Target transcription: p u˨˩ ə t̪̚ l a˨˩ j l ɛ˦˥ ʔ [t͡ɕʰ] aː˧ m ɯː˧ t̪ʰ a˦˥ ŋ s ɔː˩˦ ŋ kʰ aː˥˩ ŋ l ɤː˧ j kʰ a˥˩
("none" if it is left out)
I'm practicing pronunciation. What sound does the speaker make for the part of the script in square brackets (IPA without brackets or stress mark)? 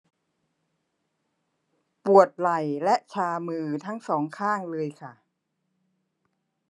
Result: t͡ɕʰ